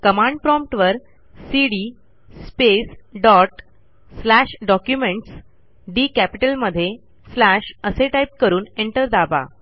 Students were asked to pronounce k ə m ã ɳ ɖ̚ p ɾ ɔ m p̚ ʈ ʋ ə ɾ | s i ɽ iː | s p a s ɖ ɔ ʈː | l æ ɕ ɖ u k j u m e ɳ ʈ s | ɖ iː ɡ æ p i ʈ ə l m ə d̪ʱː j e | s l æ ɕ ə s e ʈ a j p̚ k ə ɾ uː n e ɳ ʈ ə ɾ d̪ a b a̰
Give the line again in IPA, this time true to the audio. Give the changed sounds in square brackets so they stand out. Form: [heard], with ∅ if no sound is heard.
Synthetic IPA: k ə m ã ɳ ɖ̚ p ɾ ɔ m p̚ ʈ ʋ ə ɾ | s i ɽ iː | s p [e] s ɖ ɔ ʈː | l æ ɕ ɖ [ɔ] k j u m e ɳ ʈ s | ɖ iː [k] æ p i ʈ ə l m ə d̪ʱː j e | s l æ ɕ ə s e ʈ a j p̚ k ə ɾ uː n e ɳ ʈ ə ɾ d̪ a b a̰